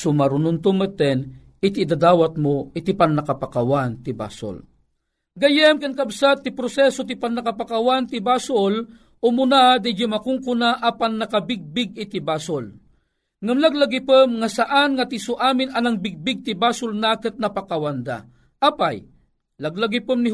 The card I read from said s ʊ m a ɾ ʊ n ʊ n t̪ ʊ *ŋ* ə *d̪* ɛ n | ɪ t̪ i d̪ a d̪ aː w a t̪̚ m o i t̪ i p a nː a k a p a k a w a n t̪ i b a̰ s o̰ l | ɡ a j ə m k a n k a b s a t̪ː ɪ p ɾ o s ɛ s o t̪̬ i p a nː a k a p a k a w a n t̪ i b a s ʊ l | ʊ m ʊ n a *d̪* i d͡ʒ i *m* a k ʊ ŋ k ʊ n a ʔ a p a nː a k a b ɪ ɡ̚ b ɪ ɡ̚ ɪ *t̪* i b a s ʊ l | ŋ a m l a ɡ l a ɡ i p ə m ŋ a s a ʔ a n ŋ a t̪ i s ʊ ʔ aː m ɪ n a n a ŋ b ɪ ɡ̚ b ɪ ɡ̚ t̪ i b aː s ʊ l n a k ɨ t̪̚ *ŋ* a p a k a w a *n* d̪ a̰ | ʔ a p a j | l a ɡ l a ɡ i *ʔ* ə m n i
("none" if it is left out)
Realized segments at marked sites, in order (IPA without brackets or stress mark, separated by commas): m, t̪, d̪, m, t̪, n, n, p